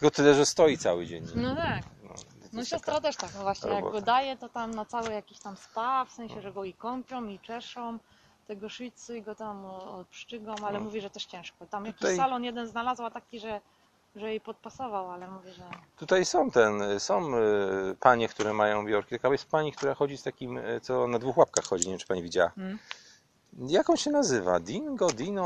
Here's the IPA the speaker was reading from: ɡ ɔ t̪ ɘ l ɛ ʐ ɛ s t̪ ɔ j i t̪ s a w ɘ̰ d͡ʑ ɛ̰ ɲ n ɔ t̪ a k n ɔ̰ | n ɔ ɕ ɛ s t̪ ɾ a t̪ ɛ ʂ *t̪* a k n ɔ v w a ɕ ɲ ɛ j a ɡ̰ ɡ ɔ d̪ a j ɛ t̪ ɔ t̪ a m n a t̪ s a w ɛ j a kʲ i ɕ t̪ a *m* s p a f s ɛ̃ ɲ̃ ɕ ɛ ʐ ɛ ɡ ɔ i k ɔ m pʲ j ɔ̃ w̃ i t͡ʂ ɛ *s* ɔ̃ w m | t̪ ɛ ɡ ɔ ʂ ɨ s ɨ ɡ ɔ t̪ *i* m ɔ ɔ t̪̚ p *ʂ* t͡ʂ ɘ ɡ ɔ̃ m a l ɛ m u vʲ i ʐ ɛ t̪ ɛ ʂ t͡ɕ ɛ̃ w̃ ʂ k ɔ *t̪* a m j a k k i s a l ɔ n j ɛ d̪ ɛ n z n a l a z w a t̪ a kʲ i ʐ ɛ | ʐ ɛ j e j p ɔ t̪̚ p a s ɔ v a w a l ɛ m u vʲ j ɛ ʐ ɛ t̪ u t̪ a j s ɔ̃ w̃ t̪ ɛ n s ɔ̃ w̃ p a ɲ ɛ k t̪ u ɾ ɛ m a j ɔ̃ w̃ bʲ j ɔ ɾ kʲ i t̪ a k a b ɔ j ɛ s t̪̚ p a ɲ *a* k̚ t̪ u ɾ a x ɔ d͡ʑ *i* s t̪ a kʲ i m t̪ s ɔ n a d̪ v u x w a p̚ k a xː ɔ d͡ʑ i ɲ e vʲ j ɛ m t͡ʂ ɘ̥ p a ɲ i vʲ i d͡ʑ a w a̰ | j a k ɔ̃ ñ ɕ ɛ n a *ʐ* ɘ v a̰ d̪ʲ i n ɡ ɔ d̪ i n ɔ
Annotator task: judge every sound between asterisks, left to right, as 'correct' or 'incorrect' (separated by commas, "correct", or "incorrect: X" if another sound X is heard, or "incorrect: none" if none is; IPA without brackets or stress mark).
correct, correct, incorrect: ʂ, incorrect: a, correct, correct, incorrect: i, correct, incorrect: z